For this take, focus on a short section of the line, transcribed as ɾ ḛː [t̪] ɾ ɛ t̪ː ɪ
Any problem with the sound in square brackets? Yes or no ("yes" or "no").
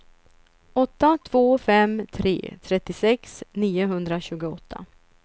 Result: yes